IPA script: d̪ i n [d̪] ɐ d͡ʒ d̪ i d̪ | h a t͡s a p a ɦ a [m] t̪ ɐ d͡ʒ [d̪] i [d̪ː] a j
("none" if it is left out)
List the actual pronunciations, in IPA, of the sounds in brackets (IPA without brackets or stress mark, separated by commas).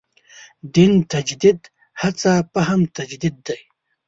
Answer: t̪, m, d̪, d̪ː